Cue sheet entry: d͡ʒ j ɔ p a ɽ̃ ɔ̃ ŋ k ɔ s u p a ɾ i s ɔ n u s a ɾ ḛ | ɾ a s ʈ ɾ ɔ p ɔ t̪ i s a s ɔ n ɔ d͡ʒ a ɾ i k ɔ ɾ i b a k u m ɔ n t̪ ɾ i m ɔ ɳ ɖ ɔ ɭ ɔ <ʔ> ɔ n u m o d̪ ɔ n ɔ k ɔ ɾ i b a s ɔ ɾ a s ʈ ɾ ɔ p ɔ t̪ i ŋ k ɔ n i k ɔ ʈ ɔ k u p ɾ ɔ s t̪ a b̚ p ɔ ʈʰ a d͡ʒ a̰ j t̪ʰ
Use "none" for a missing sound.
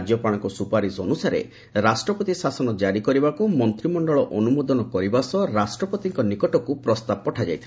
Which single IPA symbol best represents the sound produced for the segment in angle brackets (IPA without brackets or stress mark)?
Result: ʔ